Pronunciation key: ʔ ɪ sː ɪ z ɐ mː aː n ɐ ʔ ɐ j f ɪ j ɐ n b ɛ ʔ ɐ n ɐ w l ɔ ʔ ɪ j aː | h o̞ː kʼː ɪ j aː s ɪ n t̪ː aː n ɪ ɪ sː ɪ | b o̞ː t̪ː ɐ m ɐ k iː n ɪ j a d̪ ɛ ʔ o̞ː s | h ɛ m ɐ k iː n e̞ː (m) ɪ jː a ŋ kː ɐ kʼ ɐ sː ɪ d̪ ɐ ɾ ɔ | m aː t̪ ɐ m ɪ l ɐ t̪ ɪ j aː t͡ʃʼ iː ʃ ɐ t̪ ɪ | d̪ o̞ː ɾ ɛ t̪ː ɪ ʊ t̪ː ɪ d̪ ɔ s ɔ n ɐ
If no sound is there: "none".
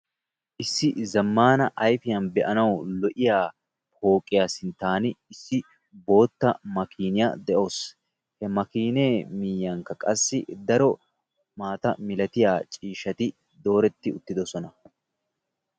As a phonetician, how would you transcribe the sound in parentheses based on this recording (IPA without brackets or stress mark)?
m